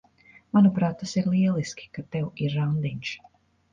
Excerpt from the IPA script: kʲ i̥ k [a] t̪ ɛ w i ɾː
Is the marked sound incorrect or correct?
correct